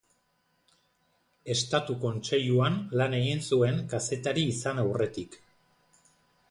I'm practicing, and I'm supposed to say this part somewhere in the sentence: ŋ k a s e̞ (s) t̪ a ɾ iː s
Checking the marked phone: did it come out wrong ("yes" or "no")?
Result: yes